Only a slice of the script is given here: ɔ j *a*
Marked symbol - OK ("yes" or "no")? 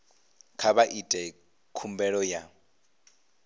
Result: yes